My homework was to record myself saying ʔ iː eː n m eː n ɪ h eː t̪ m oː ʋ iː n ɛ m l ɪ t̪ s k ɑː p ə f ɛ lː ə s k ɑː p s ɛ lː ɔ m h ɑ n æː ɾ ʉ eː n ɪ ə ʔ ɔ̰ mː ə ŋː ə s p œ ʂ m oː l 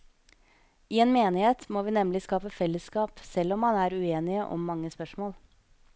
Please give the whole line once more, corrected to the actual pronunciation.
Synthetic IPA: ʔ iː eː n m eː n ɪ h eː t̪ m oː ʋ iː n ɛ m l ɪ s k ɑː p ə f ɛ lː ə s k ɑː p s ɛ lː ɔ m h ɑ n æː ɾ ʉ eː n ɪ ə ʔ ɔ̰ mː ɑ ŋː ə s p œ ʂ m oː l